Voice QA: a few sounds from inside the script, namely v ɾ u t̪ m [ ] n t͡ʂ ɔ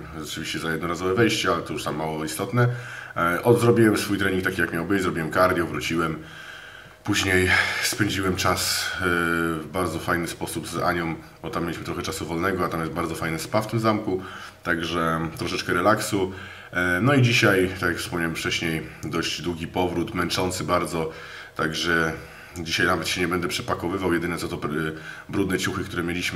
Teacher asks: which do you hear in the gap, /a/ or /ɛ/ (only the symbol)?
ɛ